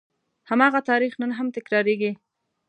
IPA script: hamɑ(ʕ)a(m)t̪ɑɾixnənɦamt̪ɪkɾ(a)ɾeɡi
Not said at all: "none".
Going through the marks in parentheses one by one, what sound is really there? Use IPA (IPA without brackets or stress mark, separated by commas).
ɣ, none, ɑ